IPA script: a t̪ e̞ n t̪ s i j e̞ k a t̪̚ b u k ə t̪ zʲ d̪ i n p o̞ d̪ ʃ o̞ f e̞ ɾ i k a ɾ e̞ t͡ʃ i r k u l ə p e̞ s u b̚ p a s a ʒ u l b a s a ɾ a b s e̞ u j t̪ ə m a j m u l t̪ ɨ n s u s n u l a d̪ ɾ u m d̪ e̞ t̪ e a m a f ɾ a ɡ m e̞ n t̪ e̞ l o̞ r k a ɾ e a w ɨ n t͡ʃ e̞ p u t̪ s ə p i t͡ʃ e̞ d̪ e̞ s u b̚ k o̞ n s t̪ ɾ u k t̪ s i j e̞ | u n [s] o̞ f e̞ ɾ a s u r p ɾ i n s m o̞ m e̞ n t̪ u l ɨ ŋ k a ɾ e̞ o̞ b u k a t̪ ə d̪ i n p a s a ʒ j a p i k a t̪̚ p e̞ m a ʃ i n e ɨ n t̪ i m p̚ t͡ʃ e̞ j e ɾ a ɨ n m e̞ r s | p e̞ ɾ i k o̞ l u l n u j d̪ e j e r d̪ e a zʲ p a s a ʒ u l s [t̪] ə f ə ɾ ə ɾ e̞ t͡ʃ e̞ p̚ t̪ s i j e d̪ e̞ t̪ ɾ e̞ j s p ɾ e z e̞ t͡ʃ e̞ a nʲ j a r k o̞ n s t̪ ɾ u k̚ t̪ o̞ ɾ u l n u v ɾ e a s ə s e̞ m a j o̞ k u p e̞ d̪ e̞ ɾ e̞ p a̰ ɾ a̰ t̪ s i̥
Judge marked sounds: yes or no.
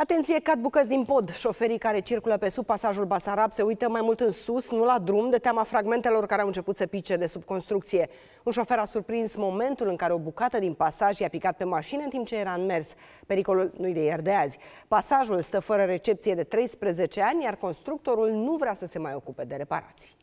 no, yes

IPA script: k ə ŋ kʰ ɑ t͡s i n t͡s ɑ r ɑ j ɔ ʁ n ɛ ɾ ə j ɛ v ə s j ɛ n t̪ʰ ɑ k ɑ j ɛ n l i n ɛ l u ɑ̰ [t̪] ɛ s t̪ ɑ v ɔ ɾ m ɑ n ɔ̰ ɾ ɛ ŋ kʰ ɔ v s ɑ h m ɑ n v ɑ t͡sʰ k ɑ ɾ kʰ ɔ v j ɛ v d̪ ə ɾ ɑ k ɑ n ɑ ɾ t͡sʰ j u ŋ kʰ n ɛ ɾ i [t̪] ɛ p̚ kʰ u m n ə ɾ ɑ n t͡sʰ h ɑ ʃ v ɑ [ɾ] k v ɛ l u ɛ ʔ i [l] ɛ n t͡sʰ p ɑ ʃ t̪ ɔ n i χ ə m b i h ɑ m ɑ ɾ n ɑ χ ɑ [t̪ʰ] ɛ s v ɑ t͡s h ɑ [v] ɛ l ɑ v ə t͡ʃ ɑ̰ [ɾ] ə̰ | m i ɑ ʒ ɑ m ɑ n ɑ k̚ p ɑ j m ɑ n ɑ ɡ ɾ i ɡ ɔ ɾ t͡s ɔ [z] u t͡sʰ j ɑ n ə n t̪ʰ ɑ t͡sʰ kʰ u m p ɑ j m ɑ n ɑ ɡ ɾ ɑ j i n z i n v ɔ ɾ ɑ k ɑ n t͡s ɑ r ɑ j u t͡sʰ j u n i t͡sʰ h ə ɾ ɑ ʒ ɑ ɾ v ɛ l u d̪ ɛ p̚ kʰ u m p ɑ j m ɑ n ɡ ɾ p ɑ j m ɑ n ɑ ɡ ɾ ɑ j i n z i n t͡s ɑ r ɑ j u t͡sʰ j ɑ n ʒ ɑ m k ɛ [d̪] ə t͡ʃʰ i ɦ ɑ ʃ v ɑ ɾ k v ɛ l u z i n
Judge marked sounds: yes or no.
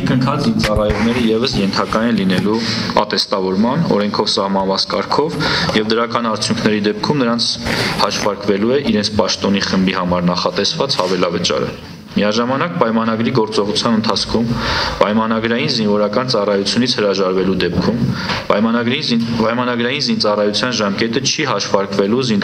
yes, no, yes, no, no, yes, yes, no, no

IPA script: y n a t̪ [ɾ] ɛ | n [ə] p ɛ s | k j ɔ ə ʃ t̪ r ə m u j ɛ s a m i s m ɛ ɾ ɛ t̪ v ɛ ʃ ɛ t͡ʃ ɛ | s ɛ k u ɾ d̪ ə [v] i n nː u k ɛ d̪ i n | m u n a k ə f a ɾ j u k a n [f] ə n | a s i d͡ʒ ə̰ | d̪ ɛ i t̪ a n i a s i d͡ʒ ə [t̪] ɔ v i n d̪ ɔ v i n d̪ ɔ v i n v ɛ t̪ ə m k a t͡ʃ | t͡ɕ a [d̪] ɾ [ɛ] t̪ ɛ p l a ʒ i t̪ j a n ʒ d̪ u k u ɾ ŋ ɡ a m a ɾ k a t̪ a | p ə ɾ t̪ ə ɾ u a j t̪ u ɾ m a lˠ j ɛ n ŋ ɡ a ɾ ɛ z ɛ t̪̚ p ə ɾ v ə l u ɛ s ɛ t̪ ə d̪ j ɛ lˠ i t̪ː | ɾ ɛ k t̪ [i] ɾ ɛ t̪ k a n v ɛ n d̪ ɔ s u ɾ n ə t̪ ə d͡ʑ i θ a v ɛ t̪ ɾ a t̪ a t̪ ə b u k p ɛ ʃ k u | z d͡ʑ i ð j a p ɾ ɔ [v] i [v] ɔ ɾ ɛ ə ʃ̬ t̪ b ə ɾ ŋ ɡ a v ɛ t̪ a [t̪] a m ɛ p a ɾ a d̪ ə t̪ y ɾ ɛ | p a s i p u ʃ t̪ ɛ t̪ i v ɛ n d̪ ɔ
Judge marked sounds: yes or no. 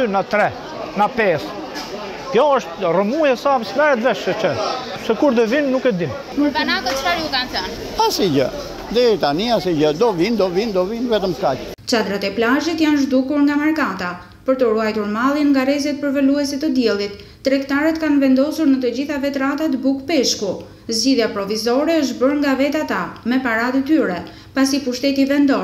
yes, no, yes, no, no, yes, no, no, yes, no, yes

